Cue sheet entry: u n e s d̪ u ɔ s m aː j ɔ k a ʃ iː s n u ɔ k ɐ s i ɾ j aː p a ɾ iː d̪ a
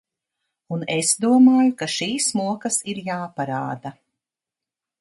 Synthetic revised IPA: u n e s d̪ u ɔ m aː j u k a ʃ iː s m u ɔ k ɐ s i ɾ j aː p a ɾ aː d̪ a